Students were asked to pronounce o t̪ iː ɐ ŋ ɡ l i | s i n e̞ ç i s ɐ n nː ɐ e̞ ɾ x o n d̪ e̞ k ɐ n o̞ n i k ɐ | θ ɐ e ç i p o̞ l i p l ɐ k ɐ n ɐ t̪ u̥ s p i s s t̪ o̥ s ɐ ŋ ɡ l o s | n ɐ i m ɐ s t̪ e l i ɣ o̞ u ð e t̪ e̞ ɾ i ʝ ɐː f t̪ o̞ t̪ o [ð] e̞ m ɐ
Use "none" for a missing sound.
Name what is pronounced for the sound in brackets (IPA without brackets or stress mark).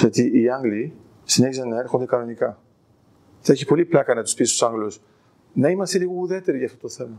θ